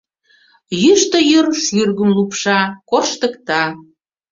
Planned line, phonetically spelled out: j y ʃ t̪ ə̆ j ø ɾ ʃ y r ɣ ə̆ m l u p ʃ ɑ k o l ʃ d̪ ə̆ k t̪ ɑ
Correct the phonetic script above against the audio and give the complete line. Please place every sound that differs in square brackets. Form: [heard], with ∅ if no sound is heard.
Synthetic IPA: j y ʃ t̪ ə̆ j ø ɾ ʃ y r ɣ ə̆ m l u p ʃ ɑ k o [r] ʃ [t̪] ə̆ k t̪ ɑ